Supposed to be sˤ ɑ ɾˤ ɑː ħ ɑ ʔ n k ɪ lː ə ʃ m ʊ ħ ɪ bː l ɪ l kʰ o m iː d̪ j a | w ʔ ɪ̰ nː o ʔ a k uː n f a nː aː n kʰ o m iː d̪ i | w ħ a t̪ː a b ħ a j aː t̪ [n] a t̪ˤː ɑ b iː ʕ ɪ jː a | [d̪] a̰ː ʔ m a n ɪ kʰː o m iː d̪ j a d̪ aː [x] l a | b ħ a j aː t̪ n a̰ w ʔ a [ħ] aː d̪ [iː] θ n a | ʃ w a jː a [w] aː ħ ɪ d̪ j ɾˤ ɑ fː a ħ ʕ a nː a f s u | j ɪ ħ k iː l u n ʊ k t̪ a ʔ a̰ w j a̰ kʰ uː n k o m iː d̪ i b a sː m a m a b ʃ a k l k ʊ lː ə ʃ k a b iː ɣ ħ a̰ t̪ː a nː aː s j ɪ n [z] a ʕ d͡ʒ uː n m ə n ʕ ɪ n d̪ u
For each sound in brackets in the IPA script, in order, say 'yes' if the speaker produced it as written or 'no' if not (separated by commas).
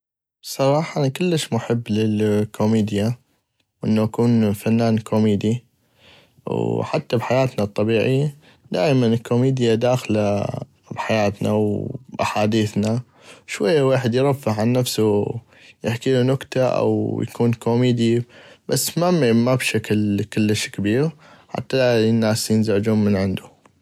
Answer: yes, yes, yes, yes, yes, yes, yes